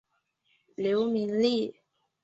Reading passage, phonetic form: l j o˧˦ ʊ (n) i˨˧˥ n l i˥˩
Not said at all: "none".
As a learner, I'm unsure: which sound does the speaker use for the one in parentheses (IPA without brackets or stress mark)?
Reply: m